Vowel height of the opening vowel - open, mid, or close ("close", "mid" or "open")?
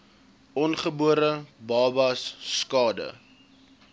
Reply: mid